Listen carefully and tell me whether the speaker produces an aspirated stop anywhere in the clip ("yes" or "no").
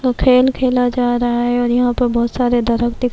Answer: yes